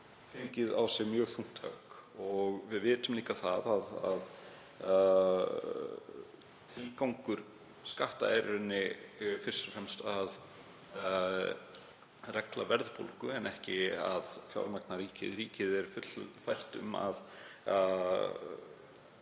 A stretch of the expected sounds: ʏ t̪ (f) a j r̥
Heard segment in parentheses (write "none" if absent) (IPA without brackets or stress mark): f